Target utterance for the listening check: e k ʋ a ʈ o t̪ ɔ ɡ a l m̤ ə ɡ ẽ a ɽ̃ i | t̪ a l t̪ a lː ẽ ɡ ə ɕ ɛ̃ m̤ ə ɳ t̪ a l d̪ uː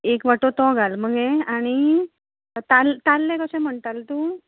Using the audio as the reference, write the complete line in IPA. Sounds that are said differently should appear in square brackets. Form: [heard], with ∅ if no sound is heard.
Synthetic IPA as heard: e k ʋ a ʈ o t̪ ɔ ɡ a l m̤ ə ɡ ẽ a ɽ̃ i | t̪ a l t̪ a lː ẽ [k] ə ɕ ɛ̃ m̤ ə ɳ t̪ a l [t̪] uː

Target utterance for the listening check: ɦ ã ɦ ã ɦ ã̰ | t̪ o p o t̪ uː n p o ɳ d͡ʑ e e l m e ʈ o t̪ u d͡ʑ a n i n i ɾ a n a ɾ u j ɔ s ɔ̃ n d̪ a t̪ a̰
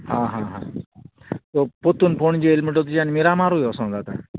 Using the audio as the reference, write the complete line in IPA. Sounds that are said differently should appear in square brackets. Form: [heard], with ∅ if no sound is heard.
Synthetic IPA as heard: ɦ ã ɦ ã ɦ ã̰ | t̪ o p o t̪ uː n p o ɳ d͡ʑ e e l m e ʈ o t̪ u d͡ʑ a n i [m] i ɾ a [m] a ɾ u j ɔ s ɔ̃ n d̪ a t̪ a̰

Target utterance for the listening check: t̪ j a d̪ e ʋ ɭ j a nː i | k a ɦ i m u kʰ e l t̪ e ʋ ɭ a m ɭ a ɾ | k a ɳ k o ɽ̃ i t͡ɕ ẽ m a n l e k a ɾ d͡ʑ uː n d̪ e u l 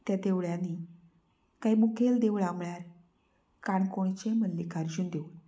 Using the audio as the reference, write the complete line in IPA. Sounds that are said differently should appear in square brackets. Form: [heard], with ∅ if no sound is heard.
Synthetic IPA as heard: t̪ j a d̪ e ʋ ɭ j a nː i | k a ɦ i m u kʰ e l [d̪] e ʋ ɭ a m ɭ a ɾ | k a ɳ k o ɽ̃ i t͡ɕ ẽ m [ə] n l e k a ɾ d͡ʑ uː n d̪ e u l

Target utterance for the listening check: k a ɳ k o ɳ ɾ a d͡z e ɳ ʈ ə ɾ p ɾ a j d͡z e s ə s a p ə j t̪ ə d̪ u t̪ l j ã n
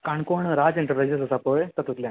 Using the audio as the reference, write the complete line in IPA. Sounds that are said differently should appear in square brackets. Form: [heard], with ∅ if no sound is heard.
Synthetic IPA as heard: k a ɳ k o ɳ ɾ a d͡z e ɳ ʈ ə ɾ p ɾ a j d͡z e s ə s a p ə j t̪ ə [t̪] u t̪ l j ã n

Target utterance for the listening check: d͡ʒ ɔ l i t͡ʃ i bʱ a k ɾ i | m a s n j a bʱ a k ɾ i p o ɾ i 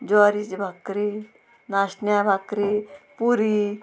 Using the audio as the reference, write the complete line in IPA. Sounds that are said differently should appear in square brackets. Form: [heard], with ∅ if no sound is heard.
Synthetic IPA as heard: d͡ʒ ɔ [ɾ] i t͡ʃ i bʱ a k ɾ i | [n] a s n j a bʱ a k ɾ i p [u] ɾ i

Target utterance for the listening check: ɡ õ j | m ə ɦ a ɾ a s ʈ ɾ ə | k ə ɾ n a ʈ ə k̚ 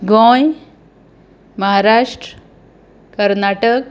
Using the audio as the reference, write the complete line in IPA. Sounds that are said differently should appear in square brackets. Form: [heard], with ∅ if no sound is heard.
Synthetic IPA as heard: ɡ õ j | m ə ɦ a ɾ a [ʂ] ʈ ɾ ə | k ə ɾ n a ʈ ə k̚

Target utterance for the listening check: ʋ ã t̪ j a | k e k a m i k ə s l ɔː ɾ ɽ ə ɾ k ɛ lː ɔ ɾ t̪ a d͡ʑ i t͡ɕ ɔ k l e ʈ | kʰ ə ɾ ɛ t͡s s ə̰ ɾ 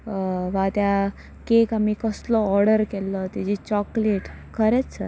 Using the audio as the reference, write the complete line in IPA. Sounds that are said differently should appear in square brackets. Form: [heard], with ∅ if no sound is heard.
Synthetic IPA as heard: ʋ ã t̪ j a | k e k a m i k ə s l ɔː ɾ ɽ ə ɾ k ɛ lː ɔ [∅] t̪ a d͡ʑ i t͡ɕ ɔ k l e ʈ | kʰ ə ɾ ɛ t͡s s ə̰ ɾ

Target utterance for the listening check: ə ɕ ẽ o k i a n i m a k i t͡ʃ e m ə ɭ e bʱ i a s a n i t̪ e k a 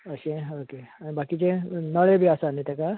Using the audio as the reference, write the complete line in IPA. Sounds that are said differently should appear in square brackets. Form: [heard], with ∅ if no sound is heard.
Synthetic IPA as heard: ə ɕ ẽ o k [e] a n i [b] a k i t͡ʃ e [n] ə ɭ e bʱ i a s a n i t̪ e k a

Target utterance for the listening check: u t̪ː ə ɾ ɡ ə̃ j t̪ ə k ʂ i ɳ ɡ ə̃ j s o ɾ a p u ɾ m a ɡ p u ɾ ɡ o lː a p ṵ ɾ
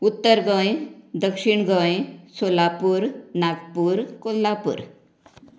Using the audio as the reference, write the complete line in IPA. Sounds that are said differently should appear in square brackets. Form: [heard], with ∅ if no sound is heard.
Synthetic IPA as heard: u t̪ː ə ɾ ɡ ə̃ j [d̪] ə k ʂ i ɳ ɡ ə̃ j s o [l] a p u ɾ [n] a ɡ p u ɾ [k] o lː a p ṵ ɾ

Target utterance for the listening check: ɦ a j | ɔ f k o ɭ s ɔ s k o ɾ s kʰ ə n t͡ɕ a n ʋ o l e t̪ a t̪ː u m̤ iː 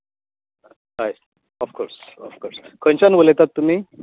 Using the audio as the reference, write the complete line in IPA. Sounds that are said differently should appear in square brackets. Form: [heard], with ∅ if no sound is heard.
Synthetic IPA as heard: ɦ a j | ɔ f k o [ɾ] s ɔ [f] k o ɾ s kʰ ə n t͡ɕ a n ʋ o l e t̪ a t̪ː u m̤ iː

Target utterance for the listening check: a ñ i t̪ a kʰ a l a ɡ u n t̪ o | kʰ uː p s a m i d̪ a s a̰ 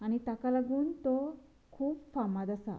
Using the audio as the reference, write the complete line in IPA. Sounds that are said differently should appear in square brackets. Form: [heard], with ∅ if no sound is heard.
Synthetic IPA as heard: a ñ i t̪ a [k] a l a ɡ [uː] n t̪ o | kʰ uː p [f] a m [a] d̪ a s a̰

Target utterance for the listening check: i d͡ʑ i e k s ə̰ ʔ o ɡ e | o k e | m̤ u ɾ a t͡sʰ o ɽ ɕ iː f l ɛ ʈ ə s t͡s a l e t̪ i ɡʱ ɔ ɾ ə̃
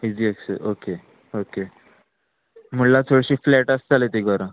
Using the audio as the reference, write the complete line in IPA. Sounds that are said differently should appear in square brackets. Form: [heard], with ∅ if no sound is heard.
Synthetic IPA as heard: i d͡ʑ i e k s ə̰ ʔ o [k] e | o k e | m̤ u [l] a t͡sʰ o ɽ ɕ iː f l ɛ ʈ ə s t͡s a l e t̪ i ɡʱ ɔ ɾ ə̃

